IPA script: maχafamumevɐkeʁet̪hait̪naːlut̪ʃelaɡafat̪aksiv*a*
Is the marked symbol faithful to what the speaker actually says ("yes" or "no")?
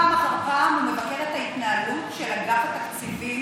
no